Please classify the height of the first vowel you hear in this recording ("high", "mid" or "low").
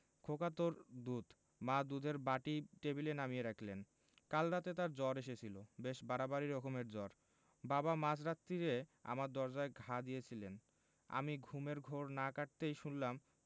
mid